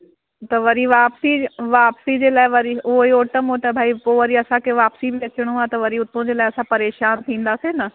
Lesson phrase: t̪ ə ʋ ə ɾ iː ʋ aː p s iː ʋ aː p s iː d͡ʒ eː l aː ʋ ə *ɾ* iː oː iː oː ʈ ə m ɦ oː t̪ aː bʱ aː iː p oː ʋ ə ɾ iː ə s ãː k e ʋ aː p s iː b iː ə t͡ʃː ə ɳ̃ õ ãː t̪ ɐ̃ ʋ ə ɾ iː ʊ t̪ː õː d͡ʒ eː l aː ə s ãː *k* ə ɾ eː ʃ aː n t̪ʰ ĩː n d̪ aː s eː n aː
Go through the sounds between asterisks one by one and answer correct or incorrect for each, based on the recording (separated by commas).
correct, incorrect